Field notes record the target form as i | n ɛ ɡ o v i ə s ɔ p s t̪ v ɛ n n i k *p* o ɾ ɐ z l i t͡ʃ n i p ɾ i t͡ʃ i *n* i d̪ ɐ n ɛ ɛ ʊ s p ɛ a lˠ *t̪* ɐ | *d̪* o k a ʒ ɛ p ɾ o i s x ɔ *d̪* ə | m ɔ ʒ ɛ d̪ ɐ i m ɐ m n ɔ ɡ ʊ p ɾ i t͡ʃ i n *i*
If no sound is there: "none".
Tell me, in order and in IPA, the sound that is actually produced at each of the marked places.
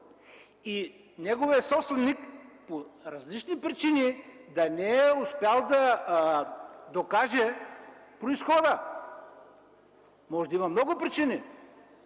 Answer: p, n, d̪, d̪, d̪, i

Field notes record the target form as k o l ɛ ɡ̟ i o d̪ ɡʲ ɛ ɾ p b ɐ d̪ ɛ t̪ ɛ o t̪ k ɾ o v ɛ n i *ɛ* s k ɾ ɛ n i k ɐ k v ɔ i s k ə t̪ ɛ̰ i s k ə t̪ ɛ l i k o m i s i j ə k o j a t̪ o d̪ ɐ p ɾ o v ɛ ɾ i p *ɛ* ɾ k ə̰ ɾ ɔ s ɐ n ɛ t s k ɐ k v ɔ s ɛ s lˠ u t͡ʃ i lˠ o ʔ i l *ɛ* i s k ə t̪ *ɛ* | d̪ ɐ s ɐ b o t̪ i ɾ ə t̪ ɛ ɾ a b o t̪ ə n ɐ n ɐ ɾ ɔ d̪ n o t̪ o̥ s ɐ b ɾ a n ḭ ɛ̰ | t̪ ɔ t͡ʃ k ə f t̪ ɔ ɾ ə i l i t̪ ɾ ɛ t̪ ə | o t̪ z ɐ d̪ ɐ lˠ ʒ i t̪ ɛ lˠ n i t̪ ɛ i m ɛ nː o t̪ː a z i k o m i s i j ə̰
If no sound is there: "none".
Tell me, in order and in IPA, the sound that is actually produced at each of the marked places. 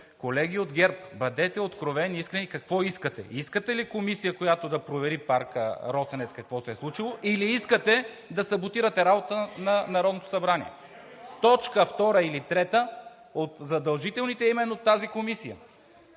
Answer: i, a, i, ɛ

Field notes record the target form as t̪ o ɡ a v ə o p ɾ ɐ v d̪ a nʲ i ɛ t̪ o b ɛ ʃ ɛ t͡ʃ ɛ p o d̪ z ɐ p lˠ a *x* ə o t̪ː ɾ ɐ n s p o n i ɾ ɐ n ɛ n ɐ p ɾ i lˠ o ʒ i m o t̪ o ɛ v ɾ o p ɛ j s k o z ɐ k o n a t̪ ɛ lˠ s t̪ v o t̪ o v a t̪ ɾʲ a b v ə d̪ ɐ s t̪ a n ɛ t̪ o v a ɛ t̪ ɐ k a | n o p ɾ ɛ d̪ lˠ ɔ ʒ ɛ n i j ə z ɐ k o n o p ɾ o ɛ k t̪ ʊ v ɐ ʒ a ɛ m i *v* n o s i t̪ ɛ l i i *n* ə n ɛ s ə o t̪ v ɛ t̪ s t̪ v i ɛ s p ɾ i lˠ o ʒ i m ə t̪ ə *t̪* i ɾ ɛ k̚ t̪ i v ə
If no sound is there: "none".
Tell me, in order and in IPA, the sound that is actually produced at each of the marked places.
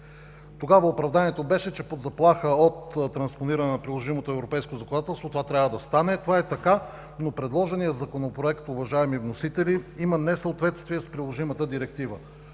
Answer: x, v, m, d̪

